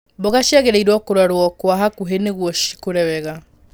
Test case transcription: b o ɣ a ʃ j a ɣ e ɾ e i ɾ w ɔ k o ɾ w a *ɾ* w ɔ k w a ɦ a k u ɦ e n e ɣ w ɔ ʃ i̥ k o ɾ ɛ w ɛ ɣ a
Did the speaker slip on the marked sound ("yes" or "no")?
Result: no